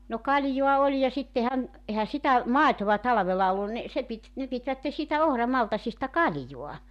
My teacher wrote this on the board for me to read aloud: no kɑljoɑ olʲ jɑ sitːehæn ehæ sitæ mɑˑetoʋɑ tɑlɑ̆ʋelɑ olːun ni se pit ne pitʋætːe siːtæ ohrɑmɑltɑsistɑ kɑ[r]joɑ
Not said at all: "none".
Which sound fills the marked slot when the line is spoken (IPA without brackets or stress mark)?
l